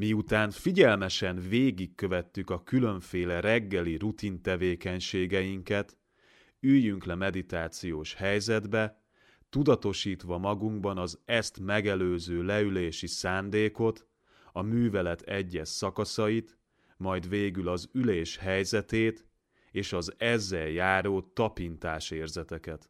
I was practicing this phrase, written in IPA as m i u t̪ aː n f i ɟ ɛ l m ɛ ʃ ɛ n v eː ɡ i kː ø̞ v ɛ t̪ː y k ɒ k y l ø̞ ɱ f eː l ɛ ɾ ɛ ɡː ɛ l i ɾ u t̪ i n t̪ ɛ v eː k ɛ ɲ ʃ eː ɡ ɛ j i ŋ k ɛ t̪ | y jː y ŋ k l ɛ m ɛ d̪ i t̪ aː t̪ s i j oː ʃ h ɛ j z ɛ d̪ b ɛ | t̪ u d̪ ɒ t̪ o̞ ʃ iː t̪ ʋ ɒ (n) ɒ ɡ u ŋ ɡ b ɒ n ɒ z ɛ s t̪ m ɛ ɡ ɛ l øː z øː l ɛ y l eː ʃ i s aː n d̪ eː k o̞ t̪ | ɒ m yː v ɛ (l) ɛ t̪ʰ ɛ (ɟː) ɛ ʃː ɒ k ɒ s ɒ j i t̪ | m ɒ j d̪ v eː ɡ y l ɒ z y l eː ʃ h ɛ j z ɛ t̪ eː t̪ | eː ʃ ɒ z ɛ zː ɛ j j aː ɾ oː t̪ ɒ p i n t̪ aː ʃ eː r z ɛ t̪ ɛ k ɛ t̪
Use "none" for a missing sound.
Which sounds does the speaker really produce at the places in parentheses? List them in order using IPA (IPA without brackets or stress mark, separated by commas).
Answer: m, l, ɟː